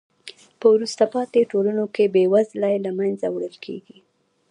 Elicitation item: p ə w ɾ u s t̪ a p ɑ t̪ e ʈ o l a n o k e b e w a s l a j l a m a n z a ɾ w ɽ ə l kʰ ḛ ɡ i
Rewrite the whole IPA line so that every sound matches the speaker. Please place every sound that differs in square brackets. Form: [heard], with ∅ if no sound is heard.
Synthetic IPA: p ə w ɾ u s t̪ a p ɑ t̪ e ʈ o l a n o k e b e w a [z] l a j l a m a n z a [∅] w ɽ ə l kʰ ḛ ɡ i